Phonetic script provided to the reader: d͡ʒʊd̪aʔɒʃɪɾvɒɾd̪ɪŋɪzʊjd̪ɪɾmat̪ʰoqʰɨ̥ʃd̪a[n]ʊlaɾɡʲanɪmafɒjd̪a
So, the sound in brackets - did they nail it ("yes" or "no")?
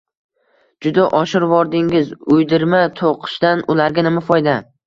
yes